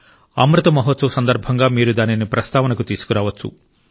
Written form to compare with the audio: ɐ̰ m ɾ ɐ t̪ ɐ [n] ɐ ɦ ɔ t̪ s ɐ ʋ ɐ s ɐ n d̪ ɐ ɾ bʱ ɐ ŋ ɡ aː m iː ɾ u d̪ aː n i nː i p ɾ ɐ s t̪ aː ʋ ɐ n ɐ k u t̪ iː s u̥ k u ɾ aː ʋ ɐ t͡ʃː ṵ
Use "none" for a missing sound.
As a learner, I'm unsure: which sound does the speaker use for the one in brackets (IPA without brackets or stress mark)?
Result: m